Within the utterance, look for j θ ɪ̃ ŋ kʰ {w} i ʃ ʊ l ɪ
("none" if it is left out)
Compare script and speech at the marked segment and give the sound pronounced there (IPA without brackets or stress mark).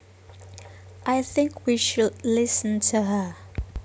w